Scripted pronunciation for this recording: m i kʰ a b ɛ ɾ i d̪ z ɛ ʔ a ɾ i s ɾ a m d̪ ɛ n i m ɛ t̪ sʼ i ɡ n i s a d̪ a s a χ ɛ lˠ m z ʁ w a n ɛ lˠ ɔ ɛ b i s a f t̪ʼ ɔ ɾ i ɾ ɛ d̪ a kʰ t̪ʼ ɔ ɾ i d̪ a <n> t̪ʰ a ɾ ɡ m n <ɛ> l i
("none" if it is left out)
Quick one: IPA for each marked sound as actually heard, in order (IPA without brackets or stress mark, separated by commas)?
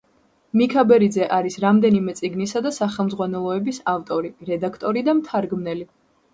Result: m, ɛ